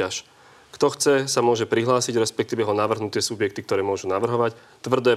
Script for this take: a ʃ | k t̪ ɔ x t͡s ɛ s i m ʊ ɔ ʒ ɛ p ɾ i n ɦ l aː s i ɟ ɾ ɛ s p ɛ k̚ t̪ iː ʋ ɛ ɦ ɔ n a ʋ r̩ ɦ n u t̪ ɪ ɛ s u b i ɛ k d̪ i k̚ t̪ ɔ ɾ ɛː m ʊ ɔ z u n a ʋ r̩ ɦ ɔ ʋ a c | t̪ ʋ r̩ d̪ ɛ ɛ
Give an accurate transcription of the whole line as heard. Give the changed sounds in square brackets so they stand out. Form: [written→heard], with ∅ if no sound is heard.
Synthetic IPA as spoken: a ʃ | k t̪ ɔ x t͡s ɛ s [i→a] m ʊ ɔ ʒ ɛ p ɾ i [n→∅] ɦ l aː s i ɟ ɾ ɛ s p ɛ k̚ t̪ iː ʋ ɛ ɦ ɔ n a ʋ r̩ ɦ n u t̪ ɪ ɛ s u b [i→j] ɛ k [d̪→t̪] i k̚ t̪ ɔ ɾ ɛː m ʊ ɔ [z→ʒ] u n a ʋ r̩ ɦ ɔ ʋ a c | t̪ ʋ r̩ d̪ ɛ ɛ